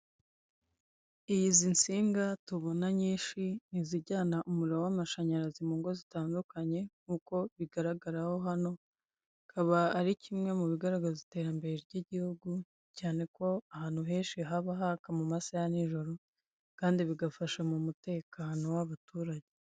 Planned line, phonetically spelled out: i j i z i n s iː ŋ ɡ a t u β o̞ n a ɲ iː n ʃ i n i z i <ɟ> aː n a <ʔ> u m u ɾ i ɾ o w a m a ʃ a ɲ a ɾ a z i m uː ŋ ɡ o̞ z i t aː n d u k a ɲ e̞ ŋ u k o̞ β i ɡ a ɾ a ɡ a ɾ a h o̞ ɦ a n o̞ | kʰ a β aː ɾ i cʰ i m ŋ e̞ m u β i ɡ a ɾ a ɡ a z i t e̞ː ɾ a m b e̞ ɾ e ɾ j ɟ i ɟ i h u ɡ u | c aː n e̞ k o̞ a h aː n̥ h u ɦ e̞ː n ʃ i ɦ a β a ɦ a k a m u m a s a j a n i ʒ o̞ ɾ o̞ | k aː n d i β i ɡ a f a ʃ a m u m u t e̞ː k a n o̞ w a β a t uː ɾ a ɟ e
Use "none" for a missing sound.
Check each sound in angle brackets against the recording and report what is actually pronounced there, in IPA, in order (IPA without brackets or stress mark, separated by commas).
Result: ɟ, ʔ